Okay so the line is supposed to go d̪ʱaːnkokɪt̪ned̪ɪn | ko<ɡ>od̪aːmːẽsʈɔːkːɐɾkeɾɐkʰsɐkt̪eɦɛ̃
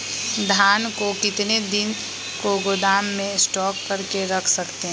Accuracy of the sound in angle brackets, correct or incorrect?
correct